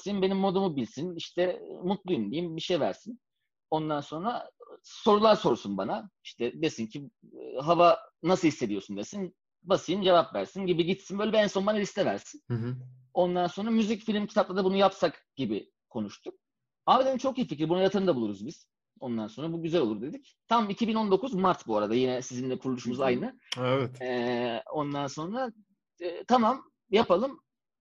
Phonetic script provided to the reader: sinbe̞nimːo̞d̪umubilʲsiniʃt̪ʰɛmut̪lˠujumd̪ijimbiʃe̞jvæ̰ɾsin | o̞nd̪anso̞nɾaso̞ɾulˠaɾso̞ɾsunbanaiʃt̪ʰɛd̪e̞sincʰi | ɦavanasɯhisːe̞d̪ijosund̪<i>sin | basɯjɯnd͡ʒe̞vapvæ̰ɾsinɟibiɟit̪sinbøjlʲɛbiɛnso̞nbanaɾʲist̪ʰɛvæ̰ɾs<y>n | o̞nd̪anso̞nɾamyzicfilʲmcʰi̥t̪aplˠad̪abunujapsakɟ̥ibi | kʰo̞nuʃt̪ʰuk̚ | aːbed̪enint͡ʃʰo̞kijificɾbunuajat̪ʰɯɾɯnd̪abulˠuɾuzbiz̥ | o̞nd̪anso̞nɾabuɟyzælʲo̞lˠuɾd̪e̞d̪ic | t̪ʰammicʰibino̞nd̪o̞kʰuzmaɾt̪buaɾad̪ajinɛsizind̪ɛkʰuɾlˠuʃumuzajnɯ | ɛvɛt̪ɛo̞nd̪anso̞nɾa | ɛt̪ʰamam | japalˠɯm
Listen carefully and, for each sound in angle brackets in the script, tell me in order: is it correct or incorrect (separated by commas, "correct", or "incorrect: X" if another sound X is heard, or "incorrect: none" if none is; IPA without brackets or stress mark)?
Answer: incorrect: e, incorrect: i